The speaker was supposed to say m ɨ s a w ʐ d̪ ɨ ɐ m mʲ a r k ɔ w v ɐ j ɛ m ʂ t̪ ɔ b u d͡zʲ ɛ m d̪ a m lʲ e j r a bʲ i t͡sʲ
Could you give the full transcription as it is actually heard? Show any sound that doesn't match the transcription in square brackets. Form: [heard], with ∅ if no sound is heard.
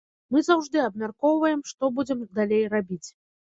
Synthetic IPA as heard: m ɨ [z] a w ʐ d̪ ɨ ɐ [b] mʲ a r k ɔ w v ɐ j ɛ m ʂ t̪ ɔ b u d͡zʲ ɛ m d̪ a [∅] lʲ e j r a bʲ i t͡sʲ